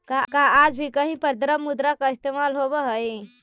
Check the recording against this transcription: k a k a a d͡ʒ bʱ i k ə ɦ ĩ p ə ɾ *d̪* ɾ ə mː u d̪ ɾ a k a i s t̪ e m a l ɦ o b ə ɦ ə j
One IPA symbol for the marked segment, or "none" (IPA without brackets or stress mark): d̪